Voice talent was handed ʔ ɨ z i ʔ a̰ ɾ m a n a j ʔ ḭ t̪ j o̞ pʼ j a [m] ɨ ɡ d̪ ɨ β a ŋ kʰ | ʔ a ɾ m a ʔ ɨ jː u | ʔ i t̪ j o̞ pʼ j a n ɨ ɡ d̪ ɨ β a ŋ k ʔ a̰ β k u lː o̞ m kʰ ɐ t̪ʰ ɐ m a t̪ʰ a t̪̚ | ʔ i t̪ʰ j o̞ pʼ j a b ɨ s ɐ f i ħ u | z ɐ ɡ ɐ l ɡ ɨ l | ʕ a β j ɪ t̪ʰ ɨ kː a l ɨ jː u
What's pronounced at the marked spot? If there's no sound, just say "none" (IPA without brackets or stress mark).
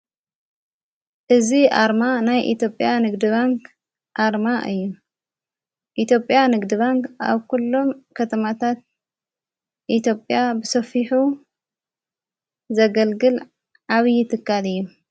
n